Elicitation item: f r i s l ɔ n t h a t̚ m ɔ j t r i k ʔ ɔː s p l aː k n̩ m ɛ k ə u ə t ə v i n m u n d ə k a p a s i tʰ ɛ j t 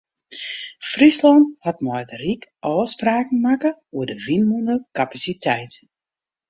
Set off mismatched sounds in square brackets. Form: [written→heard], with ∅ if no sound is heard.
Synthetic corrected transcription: f r i s l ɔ n t h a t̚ m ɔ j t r i k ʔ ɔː s p [l→r] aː k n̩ m [ɛ→a] k ə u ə [t→d] ə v i n m u n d ə k a p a s i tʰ ɛ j t